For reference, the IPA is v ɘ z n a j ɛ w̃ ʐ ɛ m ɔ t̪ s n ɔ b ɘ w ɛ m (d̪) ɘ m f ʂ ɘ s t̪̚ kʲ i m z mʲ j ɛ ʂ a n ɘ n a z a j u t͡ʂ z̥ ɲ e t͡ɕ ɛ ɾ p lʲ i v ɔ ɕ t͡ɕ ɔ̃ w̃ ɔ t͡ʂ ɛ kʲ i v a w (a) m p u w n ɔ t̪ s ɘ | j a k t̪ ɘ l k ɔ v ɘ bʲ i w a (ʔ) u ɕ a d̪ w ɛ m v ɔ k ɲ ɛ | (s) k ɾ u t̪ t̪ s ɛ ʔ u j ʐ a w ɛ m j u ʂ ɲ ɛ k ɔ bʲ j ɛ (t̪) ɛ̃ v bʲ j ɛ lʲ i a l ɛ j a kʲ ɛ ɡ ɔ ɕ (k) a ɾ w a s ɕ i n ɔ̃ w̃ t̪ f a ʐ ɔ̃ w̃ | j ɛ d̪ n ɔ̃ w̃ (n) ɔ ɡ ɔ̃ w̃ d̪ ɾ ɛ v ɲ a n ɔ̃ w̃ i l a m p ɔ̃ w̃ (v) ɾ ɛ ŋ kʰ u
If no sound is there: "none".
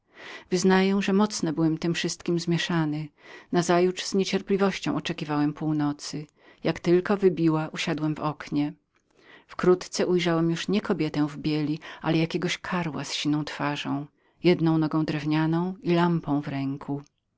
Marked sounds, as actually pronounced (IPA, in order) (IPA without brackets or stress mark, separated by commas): t̪, ɛ, ʔ, f, t̪, kʰ, n, v